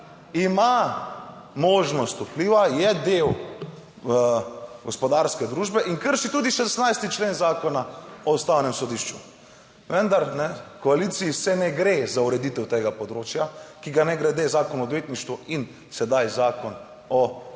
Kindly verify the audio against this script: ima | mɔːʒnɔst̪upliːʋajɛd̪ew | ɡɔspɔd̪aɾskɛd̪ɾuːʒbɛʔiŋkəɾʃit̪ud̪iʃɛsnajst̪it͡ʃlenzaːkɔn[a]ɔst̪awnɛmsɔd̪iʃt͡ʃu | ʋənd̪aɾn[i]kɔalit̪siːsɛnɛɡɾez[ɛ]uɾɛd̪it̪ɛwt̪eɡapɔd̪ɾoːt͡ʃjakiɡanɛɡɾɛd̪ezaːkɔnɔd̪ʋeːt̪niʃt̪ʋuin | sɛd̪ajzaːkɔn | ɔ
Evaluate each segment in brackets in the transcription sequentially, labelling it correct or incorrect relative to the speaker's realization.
correct, incorrect, incorrect

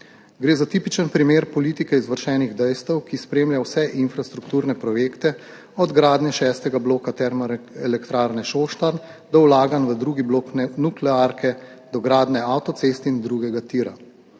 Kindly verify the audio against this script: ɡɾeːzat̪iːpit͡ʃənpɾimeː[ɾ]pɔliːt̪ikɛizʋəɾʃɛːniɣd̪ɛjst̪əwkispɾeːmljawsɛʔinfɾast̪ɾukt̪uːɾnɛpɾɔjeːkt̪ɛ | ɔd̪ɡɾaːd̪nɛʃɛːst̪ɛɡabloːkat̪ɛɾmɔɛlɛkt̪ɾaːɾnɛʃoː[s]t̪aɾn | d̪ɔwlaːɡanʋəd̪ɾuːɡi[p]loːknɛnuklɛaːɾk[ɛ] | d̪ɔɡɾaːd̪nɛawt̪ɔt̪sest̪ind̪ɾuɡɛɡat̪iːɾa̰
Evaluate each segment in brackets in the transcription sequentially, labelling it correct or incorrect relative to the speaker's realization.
correct, incorrect, incorrect, correct

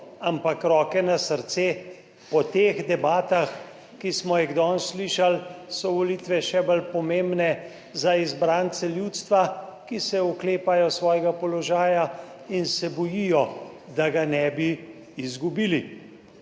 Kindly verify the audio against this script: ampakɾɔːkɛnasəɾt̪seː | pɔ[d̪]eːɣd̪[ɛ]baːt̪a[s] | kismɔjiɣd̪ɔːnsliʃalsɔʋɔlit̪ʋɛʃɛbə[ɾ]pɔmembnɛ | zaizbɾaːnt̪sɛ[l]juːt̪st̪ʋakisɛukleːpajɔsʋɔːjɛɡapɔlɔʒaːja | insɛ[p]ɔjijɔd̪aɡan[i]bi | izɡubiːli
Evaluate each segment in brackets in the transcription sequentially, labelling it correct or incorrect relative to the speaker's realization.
incorrect, correct, incorrect, incorrect, correct, incorrect, incorrect

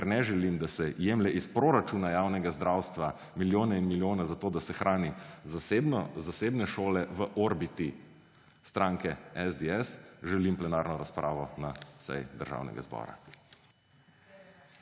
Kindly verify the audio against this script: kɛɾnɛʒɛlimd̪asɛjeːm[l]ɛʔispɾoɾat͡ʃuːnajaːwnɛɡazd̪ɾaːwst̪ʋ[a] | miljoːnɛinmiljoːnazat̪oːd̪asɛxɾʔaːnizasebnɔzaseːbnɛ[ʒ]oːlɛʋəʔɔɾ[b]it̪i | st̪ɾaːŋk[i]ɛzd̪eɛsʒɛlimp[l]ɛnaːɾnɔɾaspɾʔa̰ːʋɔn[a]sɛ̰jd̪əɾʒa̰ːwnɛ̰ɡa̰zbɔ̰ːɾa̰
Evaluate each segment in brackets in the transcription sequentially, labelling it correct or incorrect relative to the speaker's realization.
correct, correct, incorrect, correct, incorrect, correct, correct

